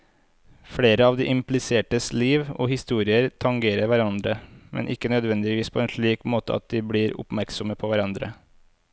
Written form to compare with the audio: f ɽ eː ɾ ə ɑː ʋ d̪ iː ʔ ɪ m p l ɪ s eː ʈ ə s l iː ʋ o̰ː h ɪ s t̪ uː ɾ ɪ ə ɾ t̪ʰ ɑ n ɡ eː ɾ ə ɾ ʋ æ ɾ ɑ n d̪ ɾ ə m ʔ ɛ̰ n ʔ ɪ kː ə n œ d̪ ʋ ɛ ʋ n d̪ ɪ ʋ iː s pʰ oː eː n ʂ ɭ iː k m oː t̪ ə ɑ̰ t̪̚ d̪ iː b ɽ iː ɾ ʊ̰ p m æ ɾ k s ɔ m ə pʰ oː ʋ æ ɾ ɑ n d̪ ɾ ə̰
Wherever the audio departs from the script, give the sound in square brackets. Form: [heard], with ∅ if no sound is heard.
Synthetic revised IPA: f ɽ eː ɾ ə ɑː ʋ d̪ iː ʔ ɪ m p l ɪ s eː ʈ ə s l iː ʋ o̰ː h ɪ s t̪ uː ɾ ɪ ə ɾ t̪ʰ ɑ [ŋ] ɡ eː ɾ ə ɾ ʋ æ ɾ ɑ n d̪ ɾ ə m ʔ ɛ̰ n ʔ ɪ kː ə n œ d̪ ʋ ɛ [∅] n d̪ ɪ ʋ iː s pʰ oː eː n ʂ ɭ iː k m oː t̪ ə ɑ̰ t̪̚ d̪ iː b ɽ iː ɾ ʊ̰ p m æ ɾ k s ɔ m ə pʰ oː ʋ æ ɾ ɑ n d̪ ɾ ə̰

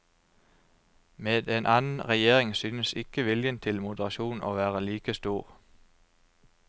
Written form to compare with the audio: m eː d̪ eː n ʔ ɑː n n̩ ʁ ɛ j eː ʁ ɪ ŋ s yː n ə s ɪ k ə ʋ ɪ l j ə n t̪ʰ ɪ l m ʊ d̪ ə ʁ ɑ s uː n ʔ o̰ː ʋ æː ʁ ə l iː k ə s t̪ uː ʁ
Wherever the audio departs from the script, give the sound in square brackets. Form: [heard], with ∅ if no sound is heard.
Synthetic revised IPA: m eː d̪ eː n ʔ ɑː n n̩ ʁ ɛ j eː ʁ ɪ ŋ s yː n ə s ɪ k ə ʋ ɪ l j ə n t̪ʰ ɪ l m ʊ d̪ ə ʁ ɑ [ʃ] uː n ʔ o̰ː ʋ æː ʁ ə l iː k ə s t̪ uː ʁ

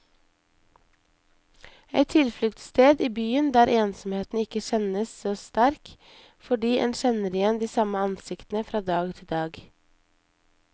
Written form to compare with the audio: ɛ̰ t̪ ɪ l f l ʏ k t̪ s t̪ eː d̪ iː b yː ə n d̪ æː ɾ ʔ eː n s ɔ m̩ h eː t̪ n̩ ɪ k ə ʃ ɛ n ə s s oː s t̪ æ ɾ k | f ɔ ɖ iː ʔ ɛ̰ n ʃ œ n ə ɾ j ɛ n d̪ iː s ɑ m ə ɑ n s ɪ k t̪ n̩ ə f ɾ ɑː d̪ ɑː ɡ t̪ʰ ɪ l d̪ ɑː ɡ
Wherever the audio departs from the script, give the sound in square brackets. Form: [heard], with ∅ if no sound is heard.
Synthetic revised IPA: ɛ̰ [t̪ʰ] ɪ l f l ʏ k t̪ s t̪ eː d̪ iː b yː ə n d̪ æː ɾ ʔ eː n s ɔ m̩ h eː t̪ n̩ ɪ k ə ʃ ɛ n ə s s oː s t̪ æ ɾ k | f ɔ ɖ iː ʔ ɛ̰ n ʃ [ɛ] n ə ɾ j ɛ n d̪ iː s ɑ m ə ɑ n s ɪ k t̪ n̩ ə f ɾ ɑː d̪ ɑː ɡ t̪ʰ ɪ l d̪ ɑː ɡ

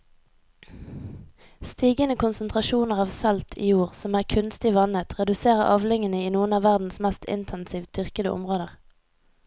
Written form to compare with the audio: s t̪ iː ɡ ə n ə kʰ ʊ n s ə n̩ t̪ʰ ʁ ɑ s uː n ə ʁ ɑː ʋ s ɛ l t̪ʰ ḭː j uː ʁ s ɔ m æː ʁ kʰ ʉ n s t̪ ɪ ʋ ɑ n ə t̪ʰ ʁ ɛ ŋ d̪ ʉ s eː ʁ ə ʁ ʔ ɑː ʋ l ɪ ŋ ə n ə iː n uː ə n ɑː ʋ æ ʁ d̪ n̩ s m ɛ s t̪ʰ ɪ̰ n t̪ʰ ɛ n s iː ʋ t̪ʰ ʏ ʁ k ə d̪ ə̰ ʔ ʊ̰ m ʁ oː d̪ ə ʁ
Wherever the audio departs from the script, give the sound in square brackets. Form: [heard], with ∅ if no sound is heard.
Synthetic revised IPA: s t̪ iː ɡ ə n ə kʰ ʊ n s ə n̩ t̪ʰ ʁ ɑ [ʃ] uː n ə ʁ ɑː ʋ s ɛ l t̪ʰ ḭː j uː ʁ s ɔ m æː ʁ kʰ ʉ n s t̪ ɪ ʋ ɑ n ə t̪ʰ ʁ ɛ [∅] d̪ ʉ s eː ʁ ə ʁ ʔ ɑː ʋ l ɪ ŋ ə n ə iː n uː ə n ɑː ʋ æ ʁ d̪ n̩ s m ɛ s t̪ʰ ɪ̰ n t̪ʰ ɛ n s iː ʋ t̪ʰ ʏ ʁ k ə d̪ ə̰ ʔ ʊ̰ m ʁ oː d̪ ə ʁ

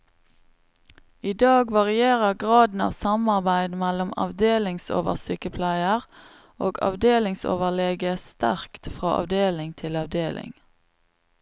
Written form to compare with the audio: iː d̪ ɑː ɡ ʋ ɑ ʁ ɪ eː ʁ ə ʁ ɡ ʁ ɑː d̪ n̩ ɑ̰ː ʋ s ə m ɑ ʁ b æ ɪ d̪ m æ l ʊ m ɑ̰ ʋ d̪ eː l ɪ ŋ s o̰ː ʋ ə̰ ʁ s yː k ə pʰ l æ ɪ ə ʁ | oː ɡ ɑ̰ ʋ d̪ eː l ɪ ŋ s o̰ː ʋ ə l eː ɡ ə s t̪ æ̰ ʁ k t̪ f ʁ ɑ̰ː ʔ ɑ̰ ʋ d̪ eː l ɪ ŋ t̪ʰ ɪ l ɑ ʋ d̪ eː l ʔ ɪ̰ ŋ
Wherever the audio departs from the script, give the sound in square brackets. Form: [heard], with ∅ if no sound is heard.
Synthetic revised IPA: iː d̪ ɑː ɡ ʋ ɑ ʁ ɪ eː ʁ ə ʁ ɡ ʁ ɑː d̪ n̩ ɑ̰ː ʋ s [ɑ] m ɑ ʁ b æ ɪ d̪ m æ l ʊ m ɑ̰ ʋ d̪ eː l ɪ ŋ s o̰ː ʋ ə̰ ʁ s yː k ə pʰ l æ ɪ ə ʁ | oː ɡ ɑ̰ ʋ d̪ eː l ɪ ŋ s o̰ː ʋ ə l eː ɡ ə s t̪ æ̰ ʁ k t̪ f ʁ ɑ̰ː ʔ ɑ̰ ʋ d̪ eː l ɪ ŋ t̪ʰ ɪ l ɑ ʋ d̪ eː l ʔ ɪ̰ ŋ

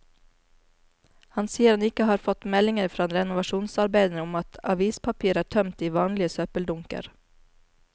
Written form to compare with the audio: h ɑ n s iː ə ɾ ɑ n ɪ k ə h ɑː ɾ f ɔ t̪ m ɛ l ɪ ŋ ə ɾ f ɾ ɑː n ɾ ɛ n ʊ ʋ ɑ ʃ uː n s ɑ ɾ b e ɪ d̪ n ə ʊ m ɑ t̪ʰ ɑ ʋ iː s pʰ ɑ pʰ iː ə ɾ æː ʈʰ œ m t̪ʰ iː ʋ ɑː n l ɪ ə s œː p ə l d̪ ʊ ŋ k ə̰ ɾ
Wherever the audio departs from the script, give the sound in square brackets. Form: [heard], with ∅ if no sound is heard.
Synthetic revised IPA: h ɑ n s iː ə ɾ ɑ n ɪ k ə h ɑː ɾ f ɔ t̪ m ɛ l ɪ ŋ ə ɾ f ɾ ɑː n ɾ ɛ n ʊ ʋ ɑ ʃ uː n s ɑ ɾ b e ɪ d̪ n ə ʊ m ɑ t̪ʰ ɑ ʋ iː s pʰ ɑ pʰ iː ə ɾ æː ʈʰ œ m [t̪] iː ʋ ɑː n l ɪ ə s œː p ə l d̪ ʊ ŋ k ə̰ ɾ

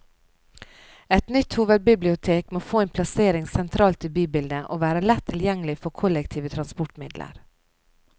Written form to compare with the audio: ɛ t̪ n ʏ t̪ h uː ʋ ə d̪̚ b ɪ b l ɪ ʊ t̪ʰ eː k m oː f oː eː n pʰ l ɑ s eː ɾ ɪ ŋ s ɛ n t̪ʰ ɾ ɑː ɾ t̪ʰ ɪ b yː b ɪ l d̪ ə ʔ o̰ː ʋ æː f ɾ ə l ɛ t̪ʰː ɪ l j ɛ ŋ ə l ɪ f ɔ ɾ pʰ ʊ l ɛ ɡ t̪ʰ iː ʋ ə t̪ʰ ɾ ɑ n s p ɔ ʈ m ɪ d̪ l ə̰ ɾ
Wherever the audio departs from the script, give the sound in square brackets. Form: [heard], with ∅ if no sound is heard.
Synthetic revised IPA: ɛ t̪ n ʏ t̪ h uː ʋ ə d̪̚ b ɪ b l ɪ ʊ t̪ʰ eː k m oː f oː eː n pʰ l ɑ s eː ɾ ɪ ŋ s ɛ n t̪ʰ ɾ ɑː [l] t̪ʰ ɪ b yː b ɪ l d̪ ə ʔ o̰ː ʋ æː [∅] ɾ ə l ɛ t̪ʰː ɪ l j ɛ ŋ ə l ɪ f ɔ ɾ [kʰ] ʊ l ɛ [k] t̪ʰ iː ʋ ə t̪ʰ ɾ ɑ n s p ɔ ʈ m ɪ d̪ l ə̰ ɾ

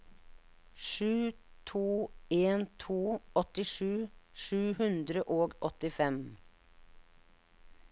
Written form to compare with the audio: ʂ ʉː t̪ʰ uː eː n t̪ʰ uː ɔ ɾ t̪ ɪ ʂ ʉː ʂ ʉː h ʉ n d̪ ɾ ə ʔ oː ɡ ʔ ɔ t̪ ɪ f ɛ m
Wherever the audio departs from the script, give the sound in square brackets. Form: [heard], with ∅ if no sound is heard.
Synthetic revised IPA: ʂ ʉː t̪ʰ uː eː n t̪ʰ uː ɔ [∅] t̪ ɪ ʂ ʉː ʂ ʉː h ʉ n d̪ ɾ ə ʔ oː ɡ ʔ ɔ t̪ ɪ f ɛ m

